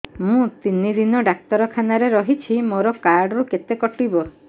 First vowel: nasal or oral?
nasal